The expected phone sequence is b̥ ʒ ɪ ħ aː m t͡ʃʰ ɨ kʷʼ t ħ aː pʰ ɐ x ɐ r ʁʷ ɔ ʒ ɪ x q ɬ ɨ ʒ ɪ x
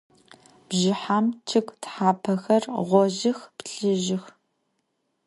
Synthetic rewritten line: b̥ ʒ ɪ ħ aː m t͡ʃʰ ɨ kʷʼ t ħ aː pʰ ɐ x ɐ r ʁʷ ɔ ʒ ɪ x p ɬ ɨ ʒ ɪ x